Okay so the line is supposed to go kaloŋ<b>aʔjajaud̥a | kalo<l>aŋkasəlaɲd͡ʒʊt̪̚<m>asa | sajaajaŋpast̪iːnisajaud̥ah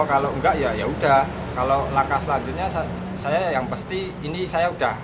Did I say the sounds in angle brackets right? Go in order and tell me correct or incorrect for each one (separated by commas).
incorrect, correct, incorrect